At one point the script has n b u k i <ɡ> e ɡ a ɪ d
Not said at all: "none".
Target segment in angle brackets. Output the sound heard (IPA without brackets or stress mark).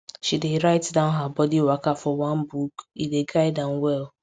d